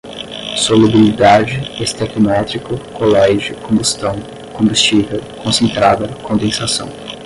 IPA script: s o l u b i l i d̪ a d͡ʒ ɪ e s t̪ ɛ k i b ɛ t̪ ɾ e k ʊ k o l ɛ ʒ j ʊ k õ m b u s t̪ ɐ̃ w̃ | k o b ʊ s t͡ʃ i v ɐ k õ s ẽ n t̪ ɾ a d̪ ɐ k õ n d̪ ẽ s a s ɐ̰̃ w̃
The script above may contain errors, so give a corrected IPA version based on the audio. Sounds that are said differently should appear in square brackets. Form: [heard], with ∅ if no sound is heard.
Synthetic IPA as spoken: s o l u b i l i d̪ a d͡ʒ ɪ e s t̪ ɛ k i [m] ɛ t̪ ɾ [i] k ʊ k o l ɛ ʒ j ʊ k õ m b u s t̪ ɐ̃ w̃ | k [õ] b [u] s t͡ʃ i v ɐ k õ s ẽ n t̪ ɾ a d̪ ɐ k õ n d̪ ẽ s a s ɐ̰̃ w̃